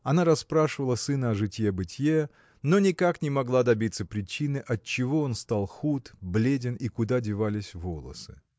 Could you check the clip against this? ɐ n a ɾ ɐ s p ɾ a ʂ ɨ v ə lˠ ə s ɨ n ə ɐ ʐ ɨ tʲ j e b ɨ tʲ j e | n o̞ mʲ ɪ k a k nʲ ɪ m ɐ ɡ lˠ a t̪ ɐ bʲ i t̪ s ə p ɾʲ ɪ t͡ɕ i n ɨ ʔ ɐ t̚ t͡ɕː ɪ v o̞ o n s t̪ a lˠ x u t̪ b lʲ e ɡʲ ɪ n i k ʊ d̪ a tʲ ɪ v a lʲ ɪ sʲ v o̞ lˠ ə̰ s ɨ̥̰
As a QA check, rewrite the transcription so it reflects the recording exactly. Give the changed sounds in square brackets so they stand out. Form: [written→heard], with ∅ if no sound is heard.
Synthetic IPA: ɐ n a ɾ ɐ s p ɾ a ʂ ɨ v ə lˠ ə s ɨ n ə ɐ ʐ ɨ tʲ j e b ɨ tʲ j e | n o̞ [mʲ→nʲ] ɪ k a k nʲ ɪ m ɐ ɡ lˠ a [t̪→d̪] ɐ bʲ i t̪ s ə p ɾʲ ɪ t͡ɕ i n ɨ ʔ ɐ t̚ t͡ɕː ɪ v o̞ o n s t̪ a lˠ x u t̪ b lʲ e [ɡʲ→dʲ] ɪ n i k ʊ d̪ a [tʲ→dʲ] ɪ v a lʲ ɪ sʲ v o̞ lˠ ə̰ s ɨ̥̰